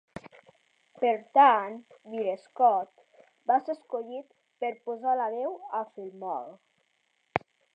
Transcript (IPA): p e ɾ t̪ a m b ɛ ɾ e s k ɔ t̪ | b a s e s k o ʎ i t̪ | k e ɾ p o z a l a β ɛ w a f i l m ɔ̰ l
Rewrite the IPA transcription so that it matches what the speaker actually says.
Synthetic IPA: p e ɾ t̪ a n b i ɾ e s k ɔ t̪ | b a s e s k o ʎ i t̪ | p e ɾ p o z a l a β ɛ w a f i l m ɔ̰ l